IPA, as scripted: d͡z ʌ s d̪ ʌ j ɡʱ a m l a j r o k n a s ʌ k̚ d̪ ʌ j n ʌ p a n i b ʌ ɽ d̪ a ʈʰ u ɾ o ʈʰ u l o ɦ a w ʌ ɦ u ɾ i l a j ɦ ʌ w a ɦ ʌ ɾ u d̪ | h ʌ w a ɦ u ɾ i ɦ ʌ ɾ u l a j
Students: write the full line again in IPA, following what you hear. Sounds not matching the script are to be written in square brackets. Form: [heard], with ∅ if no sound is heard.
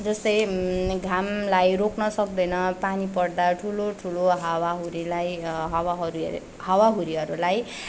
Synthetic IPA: d͡z ʌ s [t̪] ʌ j ɡʱ a m l a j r o k n [ʌ] s ʌ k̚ d̪ ʌ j n ʌ p a n i [p] ʌ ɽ d̪ a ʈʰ u [l] o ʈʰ u l o ɦ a w [a] ɦ u ɾ i l a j ɦ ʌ w a ɦ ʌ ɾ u [∅] | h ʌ w a ɦ u ɾ i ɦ ʌ ɾ u l a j